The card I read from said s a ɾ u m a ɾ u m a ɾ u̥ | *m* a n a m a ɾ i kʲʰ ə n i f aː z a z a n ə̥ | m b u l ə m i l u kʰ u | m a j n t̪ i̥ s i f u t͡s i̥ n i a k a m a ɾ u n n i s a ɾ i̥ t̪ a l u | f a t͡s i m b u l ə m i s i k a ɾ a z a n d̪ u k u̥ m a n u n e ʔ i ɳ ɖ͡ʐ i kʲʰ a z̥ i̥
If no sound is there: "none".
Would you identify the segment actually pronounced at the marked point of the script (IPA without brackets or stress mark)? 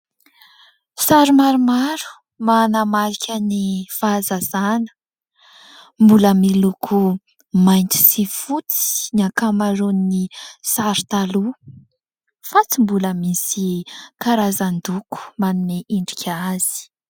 m